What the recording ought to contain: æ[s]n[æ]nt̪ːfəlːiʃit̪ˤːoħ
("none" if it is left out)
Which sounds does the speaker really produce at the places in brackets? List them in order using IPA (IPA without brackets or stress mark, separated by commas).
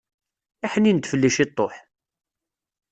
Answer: ħ, i